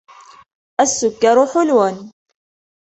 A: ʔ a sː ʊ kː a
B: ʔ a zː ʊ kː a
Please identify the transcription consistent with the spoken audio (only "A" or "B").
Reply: A